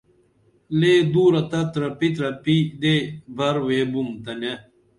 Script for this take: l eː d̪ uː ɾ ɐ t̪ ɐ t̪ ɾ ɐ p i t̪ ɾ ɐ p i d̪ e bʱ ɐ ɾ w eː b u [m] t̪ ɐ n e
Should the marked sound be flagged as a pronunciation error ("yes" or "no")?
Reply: no